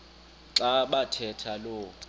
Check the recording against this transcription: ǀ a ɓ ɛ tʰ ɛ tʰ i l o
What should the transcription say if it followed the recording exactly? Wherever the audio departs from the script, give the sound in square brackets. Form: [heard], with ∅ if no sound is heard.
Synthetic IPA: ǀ a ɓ [a] tʰ ɛ tʰ [a] l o

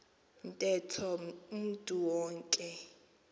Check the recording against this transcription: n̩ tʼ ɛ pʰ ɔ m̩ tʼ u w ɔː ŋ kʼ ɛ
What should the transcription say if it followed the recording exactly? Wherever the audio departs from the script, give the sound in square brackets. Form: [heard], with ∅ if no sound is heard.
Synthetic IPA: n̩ tʼ ɛ [tʰ] ɔ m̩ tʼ u w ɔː ŋ kʼ ɛ

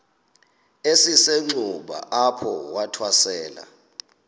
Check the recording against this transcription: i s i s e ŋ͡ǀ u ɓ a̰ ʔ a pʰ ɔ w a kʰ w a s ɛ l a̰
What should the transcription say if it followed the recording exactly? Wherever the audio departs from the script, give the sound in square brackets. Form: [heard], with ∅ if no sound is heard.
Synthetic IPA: [e] s i s e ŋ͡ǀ u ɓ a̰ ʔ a pʰ ɔ w a [tʰ] w a s [ɛː] l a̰

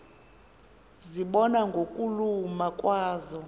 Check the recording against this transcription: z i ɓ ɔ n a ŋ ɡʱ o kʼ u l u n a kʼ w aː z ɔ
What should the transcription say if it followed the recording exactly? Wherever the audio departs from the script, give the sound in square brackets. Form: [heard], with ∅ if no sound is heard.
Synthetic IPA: z i ɓ ɔ n a ŋ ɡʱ o kʼ u l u [m] a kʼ w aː z ɔ

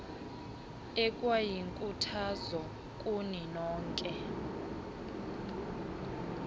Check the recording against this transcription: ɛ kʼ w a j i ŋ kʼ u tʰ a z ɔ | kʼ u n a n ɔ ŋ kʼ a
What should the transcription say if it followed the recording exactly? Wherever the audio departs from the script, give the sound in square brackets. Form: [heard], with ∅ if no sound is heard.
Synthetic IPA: ɛ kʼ w a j i ŋ kʼ u tʰ a z ɔ | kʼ u n [i] n [ɔː] ŋ kʼ [ɛ]

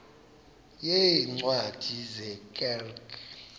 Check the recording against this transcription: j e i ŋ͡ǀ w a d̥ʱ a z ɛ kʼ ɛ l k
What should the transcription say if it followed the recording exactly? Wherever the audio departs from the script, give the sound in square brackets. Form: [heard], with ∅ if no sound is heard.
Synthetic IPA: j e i ŋ͡ǀ w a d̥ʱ [i] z ɛ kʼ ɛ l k

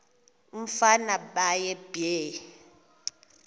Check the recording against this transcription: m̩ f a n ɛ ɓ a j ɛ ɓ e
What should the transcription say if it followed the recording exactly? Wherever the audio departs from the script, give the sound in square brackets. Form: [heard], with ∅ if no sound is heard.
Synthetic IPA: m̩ f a n [a] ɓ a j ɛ [b] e

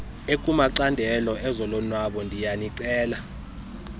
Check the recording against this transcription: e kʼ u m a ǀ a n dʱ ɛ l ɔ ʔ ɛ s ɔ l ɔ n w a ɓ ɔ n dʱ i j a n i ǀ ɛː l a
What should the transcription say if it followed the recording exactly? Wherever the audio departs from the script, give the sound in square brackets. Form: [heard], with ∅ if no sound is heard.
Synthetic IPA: e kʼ u m a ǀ a n dʱ ɛ l ɔ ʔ ɛ [z] ɔ l ɔ n w a ɓ ɔ n dʱ i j a n i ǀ ɛː l a

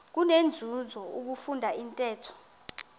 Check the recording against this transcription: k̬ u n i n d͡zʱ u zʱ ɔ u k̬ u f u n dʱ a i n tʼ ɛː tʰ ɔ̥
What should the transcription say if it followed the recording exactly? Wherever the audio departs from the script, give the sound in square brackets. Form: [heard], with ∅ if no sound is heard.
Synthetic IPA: k̬ u n [e] n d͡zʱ u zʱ ɔ u k̬ u f u n dʱ a i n tʼ ɛː tʰ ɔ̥

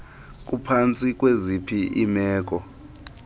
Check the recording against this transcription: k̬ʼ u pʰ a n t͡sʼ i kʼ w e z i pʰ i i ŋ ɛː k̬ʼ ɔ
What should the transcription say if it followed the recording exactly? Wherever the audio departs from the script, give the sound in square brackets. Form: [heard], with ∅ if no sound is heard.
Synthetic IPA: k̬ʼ u pʰ a n t͡sʼ i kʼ w e z i pʰ i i [m] ɛː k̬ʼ ɔ

